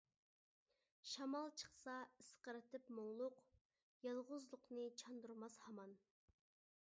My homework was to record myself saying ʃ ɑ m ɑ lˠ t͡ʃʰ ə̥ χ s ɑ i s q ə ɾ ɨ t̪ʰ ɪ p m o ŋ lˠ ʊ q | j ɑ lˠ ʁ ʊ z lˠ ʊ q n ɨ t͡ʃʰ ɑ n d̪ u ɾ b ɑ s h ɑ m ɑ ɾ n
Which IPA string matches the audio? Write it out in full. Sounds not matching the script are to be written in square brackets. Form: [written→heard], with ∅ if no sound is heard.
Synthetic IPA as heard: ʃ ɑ m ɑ lˠ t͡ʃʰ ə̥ χ s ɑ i s q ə ɾ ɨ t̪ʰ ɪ p m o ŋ lˠ ʊ q | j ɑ lˠ ʁ ʊ z lˠ ʊ q n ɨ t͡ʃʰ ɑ n d̪ u ɾ [b→m] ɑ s h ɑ m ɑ [ɾ→∅] n